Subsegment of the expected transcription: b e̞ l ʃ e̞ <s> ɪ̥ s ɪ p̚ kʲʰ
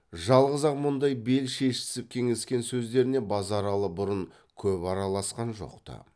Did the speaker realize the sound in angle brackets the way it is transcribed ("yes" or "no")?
no